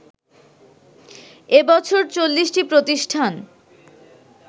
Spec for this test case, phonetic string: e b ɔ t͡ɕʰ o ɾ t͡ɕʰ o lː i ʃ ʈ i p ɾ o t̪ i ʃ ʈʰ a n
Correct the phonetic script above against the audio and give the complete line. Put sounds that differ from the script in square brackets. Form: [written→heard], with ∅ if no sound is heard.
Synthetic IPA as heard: e b ɔ t͡ɕʰ o ɾ [t͡ɕʰ→t͡ɕ] o lː i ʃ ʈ i p ɾ o t̪ i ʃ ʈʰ a n